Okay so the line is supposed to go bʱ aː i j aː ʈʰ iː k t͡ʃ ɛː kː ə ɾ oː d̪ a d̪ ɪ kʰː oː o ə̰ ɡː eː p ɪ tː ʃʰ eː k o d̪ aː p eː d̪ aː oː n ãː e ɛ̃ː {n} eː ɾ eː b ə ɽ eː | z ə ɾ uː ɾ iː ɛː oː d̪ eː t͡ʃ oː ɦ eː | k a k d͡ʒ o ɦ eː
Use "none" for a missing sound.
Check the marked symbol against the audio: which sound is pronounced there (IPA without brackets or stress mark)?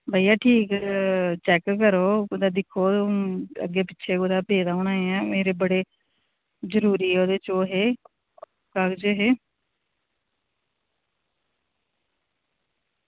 m